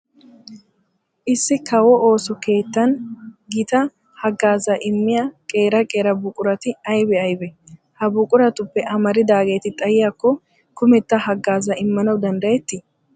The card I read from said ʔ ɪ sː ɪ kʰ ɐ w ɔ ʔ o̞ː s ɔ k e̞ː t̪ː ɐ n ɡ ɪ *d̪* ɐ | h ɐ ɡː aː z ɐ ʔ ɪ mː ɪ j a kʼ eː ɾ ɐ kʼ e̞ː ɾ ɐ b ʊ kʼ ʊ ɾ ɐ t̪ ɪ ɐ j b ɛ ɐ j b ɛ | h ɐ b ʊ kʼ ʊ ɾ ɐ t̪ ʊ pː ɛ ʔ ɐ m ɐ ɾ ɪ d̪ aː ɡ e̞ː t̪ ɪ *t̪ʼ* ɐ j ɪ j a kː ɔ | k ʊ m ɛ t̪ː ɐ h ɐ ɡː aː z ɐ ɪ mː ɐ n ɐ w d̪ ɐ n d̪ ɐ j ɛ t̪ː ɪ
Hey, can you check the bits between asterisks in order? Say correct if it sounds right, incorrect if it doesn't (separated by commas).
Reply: incorrect, correct